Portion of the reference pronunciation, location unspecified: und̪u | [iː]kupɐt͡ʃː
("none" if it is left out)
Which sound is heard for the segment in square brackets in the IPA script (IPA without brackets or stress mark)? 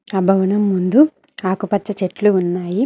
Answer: aː